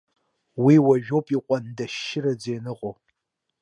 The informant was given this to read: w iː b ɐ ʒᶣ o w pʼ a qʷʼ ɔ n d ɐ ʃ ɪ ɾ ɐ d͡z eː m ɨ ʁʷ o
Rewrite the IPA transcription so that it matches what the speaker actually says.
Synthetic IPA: w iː w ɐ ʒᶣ o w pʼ i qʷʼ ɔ n d ɐ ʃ ɪ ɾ ɐ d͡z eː n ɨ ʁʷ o